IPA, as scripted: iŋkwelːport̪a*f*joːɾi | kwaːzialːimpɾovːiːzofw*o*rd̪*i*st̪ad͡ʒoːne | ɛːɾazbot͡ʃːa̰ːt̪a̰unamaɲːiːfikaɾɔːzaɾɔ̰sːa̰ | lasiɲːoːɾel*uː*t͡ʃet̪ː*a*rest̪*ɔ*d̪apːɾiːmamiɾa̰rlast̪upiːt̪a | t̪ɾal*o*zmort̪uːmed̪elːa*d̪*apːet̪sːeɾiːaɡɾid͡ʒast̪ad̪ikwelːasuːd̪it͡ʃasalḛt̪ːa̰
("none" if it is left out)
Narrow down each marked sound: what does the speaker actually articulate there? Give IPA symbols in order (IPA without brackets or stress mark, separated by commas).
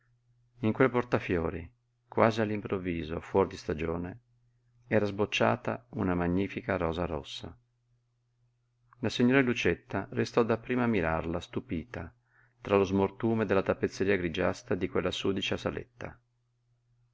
f, ɔ, i, u, a, ɔ, o, t̪